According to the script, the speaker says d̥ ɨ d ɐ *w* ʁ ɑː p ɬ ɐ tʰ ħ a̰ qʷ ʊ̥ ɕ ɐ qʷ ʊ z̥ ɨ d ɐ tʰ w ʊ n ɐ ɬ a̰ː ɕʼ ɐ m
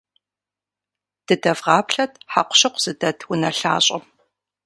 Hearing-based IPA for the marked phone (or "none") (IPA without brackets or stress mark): v